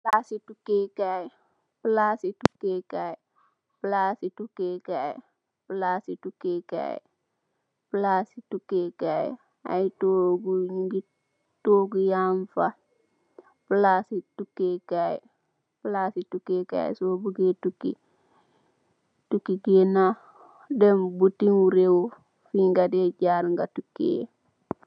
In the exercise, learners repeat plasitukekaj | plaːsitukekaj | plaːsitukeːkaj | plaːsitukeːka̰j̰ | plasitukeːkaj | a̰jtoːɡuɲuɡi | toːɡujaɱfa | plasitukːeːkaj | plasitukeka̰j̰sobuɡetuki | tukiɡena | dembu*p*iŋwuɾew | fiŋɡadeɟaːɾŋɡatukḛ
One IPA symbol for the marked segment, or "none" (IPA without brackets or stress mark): t